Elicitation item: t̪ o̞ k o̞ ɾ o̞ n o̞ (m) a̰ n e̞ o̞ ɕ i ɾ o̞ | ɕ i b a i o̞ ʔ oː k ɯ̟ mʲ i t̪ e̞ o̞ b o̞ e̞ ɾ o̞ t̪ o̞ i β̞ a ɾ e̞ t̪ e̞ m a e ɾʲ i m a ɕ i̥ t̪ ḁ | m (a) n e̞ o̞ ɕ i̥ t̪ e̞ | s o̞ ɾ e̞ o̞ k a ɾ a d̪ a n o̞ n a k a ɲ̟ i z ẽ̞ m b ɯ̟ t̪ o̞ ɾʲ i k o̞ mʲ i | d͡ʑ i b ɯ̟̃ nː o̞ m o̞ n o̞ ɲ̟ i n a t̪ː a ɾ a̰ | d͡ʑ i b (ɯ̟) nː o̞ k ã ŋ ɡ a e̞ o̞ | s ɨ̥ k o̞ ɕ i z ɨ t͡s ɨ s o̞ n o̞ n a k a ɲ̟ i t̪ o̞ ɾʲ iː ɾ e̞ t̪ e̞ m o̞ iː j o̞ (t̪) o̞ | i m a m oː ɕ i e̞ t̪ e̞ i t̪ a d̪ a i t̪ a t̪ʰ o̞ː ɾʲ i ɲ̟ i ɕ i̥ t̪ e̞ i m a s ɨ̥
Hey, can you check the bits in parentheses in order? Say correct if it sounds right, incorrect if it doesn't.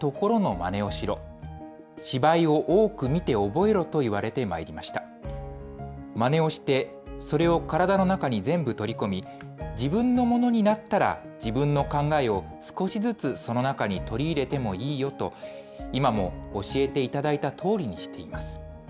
correct, correct, incorrect: ɯ̟̃, correct

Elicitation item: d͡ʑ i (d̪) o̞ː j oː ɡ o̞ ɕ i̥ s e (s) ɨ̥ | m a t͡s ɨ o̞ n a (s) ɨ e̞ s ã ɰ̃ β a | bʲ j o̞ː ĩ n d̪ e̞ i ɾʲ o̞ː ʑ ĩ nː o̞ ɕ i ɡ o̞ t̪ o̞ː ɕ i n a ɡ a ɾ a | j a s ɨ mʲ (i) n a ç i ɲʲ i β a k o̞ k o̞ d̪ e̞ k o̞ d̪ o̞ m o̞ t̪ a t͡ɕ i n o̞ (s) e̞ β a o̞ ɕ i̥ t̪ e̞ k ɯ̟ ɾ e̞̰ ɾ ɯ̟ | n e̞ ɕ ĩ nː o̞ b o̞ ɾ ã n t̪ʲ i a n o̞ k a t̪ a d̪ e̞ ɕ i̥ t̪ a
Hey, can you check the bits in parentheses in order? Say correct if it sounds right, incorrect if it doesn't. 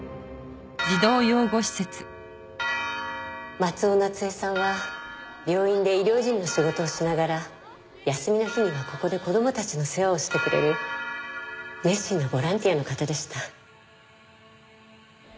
correct, incorrect: t͡s, incorrect: t͡s, correct, correct

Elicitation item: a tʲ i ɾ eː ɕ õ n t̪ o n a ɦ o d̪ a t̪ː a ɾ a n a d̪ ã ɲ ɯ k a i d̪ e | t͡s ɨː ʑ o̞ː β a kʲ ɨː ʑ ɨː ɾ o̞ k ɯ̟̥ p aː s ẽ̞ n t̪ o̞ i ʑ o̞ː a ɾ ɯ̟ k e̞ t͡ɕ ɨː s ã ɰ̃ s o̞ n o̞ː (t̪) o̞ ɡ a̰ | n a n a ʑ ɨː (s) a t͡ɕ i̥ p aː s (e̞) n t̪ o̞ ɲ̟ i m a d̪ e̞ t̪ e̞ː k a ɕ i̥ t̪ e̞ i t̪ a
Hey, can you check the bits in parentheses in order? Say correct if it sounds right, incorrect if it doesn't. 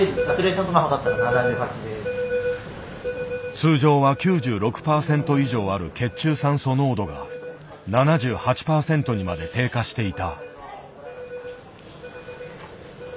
incorrect: d̪, incorrect: h, incorrect: ẽ̞

